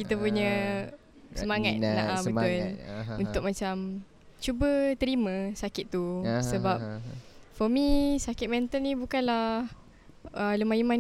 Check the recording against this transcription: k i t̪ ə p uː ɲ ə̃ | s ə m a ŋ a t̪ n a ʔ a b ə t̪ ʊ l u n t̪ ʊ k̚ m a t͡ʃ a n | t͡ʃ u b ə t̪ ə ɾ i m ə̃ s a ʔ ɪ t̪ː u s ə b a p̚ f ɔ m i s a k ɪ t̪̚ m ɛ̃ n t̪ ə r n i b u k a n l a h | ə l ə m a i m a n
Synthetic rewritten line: k i t̪ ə p u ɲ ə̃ | s ə m a ŋ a t̪ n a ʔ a b ə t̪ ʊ l u n t̪ ʊ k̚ m a t͡ʃ a m | t͡ʃ u b ə t̪ ə ɾ i m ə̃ s a k ɪ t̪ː u s ə b a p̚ f ɔ m i s a k ɪ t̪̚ m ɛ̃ n t̪ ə l n i b u k a n l a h | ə l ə m a i m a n